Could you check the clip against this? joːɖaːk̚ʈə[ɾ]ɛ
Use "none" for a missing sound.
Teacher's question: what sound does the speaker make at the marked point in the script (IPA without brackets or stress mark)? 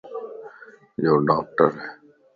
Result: ɾ